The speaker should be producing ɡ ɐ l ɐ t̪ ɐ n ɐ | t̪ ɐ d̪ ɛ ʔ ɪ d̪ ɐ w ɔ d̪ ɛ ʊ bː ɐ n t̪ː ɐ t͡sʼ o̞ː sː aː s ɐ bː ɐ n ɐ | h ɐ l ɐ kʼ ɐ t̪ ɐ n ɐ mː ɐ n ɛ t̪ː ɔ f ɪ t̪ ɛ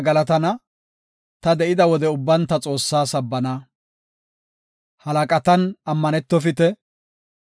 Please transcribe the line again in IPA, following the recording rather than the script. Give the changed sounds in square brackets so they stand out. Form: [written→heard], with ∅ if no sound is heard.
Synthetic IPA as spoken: ɡ ɐ l ɐ t̪ ɐ n ɐ | t̪ ɐ d̪ ɛ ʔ ɪ d̪ ɐ w ɔ d̪ ɛ ʊ bː ɐ n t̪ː ɐ t͡sʼ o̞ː sː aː s ɐ bː ɐ n ɐ | h ɐ l ɐ kʼ ɐ t̪ ɐ n ɐ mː ɐ n ɛ t̪ː ɔ f ɪ t̪ ɛ